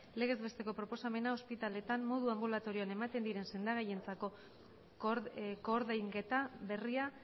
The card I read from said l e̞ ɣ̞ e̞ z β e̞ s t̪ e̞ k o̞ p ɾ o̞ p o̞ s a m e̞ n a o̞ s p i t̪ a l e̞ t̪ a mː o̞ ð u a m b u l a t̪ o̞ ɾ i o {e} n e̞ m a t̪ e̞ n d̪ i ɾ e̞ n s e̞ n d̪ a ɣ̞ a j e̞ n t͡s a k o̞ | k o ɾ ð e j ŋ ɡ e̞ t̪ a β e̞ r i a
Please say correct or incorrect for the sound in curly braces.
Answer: incorrect